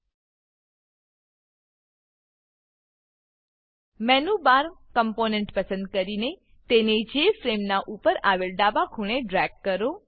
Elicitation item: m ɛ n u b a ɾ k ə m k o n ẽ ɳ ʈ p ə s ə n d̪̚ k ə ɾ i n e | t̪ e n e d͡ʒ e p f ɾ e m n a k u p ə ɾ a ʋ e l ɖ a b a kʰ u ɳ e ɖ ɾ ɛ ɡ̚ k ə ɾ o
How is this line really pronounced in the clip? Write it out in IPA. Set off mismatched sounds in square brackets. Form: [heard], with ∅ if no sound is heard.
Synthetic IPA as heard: m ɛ n u b a ɾ k ə m [p] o n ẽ ɳ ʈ p ə s ə n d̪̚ k ə ɾ i n e | t̪ e n e d͡ʒ e [∅] f ɾ e m n a [ʔ] u p ə ɾ a ʋ e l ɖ a b a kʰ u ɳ e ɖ ɾ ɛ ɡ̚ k ə ɾ o

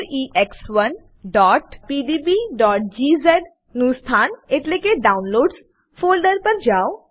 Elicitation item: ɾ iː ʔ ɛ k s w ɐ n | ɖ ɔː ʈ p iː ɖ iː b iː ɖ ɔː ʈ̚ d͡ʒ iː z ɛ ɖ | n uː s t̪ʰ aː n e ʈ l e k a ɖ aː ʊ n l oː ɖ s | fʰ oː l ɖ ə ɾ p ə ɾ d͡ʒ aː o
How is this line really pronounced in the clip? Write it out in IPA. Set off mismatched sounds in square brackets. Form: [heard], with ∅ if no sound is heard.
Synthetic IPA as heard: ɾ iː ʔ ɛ k s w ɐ n | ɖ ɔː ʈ p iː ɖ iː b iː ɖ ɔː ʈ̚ d͡ʒ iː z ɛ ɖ | n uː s t̪ʰ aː n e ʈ l e k [e] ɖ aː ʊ n l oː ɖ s | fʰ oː l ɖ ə ɾ p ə ɾ d͡ʒ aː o

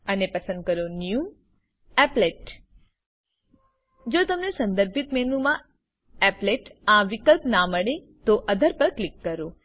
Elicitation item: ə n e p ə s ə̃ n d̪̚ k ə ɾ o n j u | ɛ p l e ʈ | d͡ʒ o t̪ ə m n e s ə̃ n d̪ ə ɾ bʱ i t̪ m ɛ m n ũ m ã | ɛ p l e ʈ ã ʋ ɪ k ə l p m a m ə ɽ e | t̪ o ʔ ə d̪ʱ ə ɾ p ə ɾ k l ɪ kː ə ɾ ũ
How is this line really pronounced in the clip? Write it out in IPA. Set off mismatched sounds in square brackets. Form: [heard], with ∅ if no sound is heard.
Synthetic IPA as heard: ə n e p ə s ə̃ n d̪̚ k ə ɾ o n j u | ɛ p l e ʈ | d͡ʒ o t̪ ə m n e s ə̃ n d̪ ə ɾ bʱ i t̪ m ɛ [∅] n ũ m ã | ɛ p l e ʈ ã ʋ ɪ k ə l p [n] a m ə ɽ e | t̪ o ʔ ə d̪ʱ ə ɾ p ə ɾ k l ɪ kː ə ɾ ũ

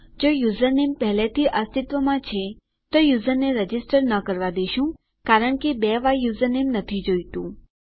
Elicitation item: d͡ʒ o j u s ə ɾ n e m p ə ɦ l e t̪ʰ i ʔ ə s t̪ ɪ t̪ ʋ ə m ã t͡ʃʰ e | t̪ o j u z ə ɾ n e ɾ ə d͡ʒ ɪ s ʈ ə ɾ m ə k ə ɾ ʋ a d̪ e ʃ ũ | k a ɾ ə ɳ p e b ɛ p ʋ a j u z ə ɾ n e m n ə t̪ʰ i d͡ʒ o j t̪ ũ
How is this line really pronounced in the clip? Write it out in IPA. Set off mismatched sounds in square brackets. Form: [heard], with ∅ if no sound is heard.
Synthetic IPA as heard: d͡ʒ o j u [z] ə ɾ n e m p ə ɦ l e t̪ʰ i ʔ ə s t̪ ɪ t̪ ʋ ə m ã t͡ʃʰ e | t̪ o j u z ə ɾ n e ɾ ə d͡ʒ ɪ s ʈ ə ɾ [n] ə k ə ɾ ʋ a d̪ e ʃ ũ | k a ɾ ə ɳ [k] e b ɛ [∅] ʋ a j u z ə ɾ n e m n ə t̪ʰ i d͡ʒ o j t̪ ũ

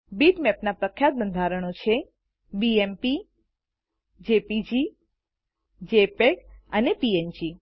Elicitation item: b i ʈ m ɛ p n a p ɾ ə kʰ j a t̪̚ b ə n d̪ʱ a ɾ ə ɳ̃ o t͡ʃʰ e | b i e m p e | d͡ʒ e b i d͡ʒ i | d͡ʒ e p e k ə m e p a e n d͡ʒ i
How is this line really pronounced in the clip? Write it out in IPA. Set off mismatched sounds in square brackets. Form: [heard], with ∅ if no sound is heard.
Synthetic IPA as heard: b i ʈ m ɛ p n a p ɾ ə kʰ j a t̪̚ b ə n d̪ʱ a ɾ ə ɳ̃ o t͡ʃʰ e | b i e m p [i] | d͡ʒ e [p] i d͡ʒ i | d͡ʒ e p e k ə [n] e p [i] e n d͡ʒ i

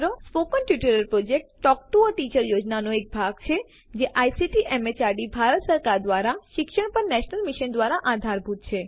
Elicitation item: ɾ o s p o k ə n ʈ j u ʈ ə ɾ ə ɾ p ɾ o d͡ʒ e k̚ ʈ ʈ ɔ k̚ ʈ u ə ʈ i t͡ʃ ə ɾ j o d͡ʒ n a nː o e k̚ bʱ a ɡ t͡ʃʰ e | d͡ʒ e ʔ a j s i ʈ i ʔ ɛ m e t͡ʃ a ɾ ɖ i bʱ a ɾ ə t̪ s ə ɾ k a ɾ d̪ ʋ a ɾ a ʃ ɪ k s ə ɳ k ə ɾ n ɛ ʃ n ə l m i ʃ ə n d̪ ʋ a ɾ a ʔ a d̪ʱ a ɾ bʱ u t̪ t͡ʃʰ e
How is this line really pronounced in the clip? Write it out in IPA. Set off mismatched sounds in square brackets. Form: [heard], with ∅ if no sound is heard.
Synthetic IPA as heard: ɾ o s p o k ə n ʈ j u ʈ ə ɾ ə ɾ p ɾ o d͡ʒ e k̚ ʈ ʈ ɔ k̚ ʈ u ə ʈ i t͡ʃ ə ɾ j o d͡ʒ n a [n] o e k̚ bʱ a ɡ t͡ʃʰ e | d͡ʒ e ʔ a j s i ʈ i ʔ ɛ m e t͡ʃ a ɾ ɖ i bʱ a ɾ ə t̪ s ə ɾ k a ɾ d̪ ʋ a ɾ a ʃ ɪ k [ʃ] ə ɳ [p] ə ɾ n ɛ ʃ n ə l m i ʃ ə n d̪ ʋ a ɾ a ʔ a d̪ʱ a ɾ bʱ u t̪ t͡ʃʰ e

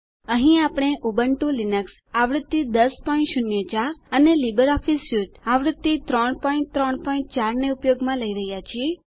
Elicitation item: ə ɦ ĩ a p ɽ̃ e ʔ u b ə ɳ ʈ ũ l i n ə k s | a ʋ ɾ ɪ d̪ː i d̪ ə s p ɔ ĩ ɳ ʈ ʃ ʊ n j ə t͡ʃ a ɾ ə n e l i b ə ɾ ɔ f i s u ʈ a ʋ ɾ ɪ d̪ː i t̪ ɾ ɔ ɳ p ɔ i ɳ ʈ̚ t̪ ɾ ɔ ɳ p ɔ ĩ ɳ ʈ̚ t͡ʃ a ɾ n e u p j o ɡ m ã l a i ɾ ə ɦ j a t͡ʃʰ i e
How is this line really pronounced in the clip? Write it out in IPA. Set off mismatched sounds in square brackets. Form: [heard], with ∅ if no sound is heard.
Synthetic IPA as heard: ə ɦ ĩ a p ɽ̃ e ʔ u b ə ɳ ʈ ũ l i n ə k s | a ʋ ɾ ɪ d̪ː i d̪ ə s p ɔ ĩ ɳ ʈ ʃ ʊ n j ə t͡ʃ a ɾ ə n e l i b ə ɾ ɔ f i s u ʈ a ʋ ɾ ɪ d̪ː i t̪ ɾ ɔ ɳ p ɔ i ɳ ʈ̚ t̪ ɾ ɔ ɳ p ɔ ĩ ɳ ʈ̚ t͡ʃ a ɾ n e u p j o ɡ m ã l [ə] i ɾ ə ɦ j a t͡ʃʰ i e

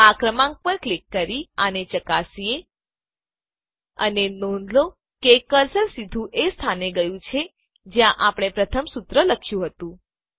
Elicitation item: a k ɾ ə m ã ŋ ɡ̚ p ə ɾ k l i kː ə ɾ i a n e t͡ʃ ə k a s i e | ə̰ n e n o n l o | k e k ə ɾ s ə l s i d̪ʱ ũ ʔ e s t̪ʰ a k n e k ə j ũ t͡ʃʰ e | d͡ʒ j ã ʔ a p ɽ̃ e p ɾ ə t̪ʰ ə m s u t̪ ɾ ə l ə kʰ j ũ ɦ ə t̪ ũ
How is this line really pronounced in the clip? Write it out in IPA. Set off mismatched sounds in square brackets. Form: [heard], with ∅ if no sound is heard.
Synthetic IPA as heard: a k ɾ ə m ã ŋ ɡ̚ p ə ɾ k l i kː ə ɾ i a n e t͡ʃ ə k a s i e | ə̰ n e n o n l o | k e k ə ɾ s ə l s i d̪ʱ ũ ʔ e s t̪ʰ a [∅] n e [ɡ] ə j ũ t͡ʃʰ e | d͡ʒ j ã ʔ a p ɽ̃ e p ɾ ə t̪ʰ ə m s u t̪ ɾ ə l ə kʰ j ũ ɦ ə t̪ ũ

